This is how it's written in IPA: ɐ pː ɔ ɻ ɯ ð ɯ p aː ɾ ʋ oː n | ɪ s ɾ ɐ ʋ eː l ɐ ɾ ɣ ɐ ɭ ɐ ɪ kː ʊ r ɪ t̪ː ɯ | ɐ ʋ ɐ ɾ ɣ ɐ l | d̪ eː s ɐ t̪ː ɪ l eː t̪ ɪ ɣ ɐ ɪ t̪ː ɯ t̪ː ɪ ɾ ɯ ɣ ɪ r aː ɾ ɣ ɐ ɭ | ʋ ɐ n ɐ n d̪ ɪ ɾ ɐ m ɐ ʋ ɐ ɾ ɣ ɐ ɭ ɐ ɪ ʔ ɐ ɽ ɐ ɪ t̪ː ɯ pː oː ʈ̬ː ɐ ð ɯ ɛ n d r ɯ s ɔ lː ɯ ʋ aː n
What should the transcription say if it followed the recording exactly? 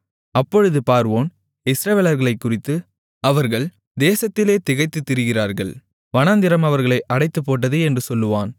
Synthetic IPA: ɐ pː ɔ ɻ ɯ ð ɯ p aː ɾ ʋ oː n | ɪ s ɾ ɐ ʋ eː l ɐ ɾ ɣ ɐ ɭ ɐ ɪ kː ʊ r ɪ t̪ː ɯ | ɐ ʋ ɐ ɾ ɣ ɐ ɭ | d̪ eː s ɐ t̪ː ɪ l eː t̪ ɪ ɣ ɐ ɪ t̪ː ɯ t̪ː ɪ ɾ ɯ ɣ ɪ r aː ɾ ɣ ɐ ɭ | ʋ ɐ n ɐ n d̪ ɪ ɾ ɐ m ɐ ʋ ɐ ɾ ɣ ɐ ɭ ɐ ɪ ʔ ɐ ɽ ɐ ɪ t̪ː ɯ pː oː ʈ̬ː ɐ ð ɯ ɛ n d r ɯ s ɔ lː ɯ ʋ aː n